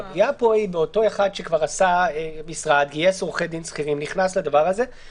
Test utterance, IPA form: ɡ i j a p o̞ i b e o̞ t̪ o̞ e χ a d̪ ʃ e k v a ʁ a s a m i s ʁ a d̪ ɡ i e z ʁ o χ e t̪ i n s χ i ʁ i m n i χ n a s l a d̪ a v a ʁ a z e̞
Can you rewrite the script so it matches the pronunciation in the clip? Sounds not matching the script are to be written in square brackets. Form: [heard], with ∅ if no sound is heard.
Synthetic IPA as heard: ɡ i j a p o̞ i b e o̞ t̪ o̞ e χ a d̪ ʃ e k v a ʁ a s a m i s ʁ a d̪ ɡ i e [s] ʁ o χ e [d̪] i n s χ i ʁ i m n i χ n a s l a d̪ a v a ʁ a z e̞